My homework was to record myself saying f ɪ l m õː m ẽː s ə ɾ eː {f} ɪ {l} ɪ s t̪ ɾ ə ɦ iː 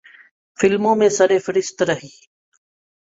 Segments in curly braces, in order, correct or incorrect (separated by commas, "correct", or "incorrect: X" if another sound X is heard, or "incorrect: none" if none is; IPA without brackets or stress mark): correct, incorrect: ɾ